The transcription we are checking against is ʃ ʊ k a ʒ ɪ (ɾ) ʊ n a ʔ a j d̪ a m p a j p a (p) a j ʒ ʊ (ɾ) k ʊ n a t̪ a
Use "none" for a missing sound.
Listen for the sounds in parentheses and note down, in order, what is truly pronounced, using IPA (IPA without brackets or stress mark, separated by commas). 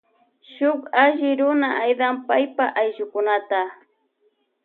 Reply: ɾ, ʔ, none